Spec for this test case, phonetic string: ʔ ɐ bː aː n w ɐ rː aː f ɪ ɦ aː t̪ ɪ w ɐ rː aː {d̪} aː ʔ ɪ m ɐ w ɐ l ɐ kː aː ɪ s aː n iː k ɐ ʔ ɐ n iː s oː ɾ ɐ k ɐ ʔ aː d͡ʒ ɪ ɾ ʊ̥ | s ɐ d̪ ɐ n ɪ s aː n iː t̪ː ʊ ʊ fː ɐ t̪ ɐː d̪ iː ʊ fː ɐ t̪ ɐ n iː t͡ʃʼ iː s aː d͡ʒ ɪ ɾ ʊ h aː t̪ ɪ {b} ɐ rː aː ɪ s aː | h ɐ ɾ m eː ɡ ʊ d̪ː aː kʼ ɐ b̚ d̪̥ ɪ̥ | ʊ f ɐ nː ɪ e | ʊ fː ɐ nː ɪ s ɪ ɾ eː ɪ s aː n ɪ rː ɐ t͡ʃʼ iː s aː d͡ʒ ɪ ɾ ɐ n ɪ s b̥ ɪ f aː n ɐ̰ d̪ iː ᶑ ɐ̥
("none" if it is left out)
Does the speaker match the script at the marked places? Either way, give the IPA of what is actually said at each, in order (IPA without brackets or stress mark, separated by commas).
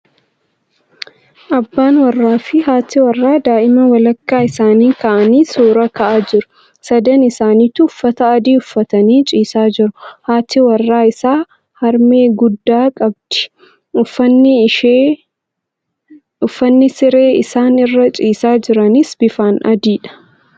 d̪, w